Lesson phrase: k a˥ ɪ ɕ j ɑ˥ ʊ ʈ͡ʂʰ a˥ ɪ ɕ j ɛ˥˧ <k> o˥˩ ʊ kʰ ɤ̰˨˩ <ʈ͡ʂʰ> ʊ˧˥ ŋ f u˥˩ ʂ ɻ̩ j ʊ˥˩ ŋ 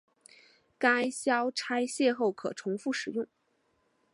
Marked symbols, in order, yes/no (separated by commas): no, yes